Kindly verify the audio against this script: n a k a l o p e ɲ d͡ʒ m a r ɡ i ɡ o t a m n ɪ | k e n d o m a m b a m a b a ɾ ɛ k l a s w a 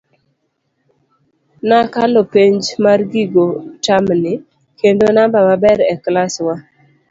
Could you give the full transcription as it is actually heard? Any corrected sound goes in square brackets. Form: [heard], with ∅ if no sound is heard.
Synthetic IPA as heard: n a k a l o p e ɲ d͡ʒ m a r ɡ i ɡ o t a m n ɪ | k e n d o [n] a m b a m a b [ɛ] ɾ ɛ k l a s w a

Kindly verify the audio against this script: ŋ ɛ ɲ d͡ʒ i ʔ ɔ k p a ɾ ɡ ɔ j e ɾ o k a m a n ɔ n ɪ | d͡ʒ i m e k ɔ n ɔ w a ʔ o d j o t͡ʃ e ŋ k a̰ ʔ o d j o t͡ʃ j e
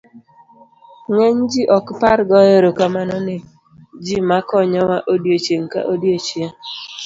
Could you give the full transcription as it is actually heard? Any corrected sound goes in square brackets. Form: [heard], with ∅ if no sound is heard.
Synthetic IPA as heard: ŋ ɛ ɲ d͡ʒ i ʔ ɔ k p a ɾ ɡ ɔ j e ɾ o k a m a n ɔ n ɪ | d͡ʒ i m [a] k ɔ [ɲ] ɔ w a ʔ o d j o t͡ʃ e ŋ k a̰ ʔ o d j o t͡ʃ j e

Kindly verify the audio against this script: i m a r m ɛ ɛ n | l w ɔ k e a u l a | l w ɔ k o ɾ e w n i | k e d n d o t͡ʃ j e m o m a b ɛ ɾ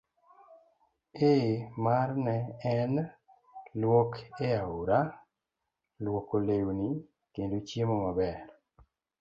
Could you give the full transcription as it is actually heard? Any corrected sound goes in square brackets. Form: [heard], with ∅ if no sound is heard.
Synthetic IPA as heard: [e] m a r [n] ɛ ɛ n | l w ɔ k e a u [ɾ] a | l w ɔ k o [l] e w n i | k e [∅] n d o t͡ʃ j e m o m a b ɛ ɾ

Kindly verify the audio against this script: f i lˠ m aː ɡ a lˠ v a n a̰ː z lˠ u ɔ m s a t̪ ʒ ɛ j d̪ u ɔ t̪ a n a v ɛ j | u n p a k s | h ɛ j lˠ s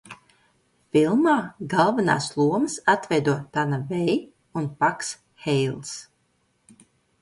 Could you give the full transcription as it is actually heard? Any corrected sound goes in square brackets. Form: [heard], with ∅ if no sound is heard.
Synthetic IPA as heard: f i lˠ m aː ɡ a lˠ v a n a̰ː [s] lˠ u ɔ m s a t̪ [v] ɛ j d̪ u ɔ t̪ a n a v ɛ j | u n p a k s | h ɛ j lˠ s

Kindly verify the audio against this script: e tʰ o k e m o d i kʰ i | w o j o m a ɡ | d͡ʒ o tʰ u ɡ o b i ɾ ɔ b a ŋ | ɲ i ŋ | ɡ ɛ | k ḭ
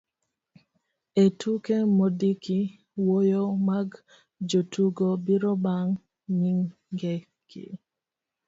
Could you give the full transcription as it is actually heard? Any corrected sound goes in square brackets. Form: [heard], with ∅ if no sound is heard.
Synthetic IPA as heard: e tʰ [u] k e m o d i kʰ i | w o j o m a ɡ | d͡ʒ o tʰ u ɡ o b i ɾ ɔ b a ŋ | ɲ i ŋ | ɡ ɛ | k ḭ

